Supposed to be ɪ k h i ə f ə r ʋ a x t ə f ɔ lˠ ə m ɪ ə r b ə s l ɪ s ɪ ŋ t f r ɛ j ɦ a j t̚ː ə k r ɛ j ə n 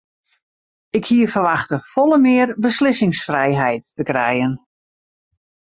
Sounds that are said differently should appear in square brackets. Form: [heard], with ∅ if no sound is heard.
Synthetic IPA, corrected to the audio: ɪ k h i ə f ə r ʋ a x t ə f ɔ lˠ ə m ɪ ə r b ə s l ɪ s ɪ ŋ [s] f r ɛ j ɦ [ɛ] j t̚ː ə k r ɛ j ə n